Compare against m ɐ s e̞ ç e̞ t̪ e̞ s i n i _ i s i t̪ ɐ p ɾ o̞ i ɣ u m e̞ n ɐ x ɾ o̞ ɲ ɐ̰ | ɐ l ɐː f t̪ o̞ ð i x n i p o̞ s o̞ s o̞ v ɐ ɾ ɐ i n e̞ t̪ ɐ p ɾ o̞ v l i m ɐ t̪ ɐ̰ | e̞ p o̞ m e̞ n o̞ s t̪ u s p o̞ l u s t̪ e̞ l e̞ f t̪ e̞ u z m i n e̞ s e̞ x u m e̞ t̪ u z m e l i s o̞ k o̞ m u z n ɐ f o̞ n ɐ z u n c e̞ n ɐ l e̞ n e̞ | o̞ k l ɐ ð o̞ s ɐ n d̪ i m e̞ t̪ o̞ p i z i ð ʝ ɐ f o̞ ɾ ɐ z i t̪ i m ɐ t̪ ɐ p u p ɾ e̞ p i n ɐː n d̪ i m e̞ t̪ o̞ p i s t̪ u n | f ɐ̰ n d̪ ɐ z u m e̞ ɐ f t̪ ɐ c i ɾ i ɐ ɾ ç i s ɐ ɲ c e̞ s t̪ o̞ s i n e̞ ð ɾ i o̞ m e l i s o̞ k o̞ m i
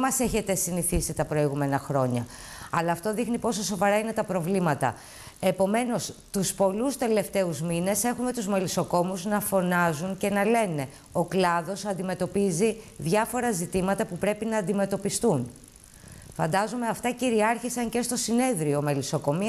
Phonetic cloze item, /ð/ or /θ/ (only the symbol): θ